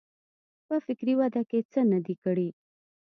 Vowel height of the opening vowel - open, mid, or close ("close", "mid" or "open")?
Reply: mid